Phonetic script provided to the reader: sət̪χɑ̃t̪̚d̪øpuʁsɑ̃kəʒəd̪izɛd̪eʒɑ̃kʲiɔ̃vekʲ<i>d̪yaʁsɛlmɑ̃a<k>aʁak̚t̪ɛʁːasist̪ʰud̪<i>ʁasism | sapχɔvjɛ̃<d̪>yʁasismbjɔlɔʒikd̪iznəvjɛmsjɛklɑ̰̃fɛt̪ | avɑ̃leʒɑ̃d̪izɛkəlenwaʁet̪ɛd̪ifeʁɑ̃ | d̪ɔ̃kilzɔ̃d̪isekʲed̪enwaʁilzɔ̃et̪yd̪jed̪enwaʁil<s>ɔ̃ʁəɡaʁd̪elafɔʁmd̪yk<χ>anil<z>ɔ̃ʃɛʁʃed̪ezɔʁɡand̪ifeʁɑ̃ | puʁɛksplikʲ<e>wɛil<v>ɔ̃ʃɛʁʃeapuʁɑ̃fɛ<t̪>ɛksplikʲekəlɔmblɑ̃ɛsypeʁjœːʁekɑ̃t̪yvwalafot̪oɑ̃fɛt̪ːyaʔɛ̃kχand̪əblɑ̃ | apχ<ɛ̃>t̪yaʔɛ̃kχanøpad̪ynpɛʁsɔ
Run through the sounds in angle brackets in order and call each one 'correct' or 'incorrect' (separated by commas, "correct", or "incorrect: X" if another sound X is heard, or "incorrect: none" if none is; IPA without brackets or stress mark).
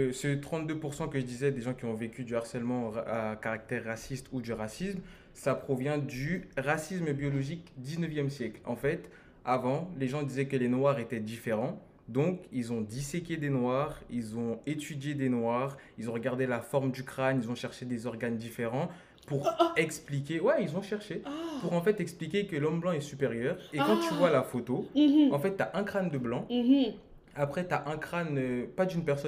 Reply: incorrect: y, correct, incorrect: y, correct, incorrect: z, correct, correct, correct, incorrect: z, correct, incorrect: ɛ